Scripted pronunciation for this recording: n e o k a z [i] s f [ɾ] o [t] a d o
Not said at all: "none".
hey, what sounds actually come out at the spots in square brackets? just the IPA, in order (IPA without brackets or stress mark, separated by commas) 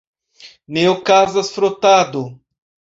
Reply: a, ɾ, t